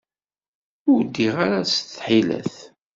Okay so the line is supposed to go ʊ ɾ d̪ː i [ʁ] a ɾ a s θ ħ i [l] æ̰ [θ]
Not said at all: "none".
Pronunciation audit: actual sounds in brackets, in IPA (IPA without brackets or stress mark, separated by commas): ʁ, l, θ